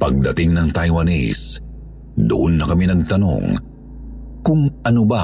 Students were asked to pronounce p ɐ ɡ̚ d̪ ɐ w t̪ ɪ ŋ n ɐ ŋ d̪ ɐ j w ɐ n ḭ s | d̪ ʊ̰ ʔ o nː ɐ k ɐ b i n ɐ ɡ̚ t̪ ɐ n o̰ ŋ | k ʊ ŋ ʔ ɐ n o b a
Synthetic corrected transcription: p ɐ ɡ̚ d̪ ɐ t̪ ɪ ŋ n ɐ ŋ t̪ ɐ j w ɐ n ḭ s | d̪ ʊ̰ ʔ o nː ɐ k ɐ m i n ɐ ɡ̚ t̪ ɐ n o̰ ŋ | k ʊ ŋ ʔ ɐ n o b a